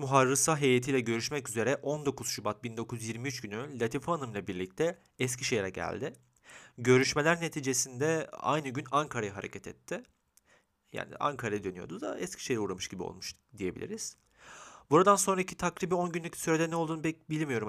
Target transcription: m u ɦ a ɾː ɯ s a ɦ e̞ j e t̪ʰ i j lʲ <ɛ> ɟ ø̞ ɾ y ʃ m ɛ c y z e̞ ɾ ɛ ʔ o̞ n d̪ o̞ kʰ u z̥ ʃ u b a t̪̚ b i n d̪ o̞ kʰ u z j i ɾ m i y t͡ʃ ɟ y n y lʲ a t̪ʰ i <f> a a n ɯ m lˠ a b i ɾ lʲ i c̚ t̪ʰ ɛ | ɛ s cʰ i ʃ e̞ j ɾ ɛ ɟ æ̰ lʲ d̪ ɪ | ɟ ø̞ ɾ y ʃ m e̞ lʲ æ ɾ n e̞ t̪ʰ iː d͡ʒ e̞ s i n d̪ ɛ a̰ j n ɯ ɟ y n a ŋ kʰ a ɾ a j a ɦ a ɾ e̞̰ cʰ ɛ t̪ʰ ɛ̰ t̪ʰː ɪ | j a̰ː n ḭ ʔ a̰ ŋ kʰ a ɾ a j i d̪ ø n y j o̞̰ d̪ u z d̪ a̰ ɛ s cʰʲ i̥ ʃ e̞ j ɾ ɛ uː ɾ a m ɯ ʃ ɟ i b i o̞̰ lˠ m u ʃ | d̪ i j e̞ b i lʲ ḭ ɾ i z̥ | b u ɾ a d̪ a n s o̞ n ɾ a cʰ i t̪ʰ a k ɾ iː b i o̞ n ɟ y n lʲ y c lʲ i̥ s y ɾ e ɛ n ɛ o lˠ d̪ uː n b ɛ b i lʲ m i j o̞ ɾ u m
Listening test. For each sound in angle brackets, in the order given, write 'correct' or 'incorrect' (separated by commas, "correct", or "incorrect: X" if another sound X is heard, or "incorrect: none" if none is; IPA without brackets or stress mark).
correct, correct